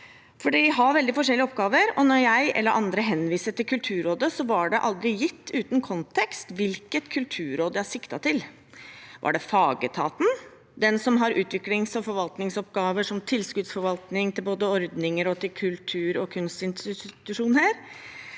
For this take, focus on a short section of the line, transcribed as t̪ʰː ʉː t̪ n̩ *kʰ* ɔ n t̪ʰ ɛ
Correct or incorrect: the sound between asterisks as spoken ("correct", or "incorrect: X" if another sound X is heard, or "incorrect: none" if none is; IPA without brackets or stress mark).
correct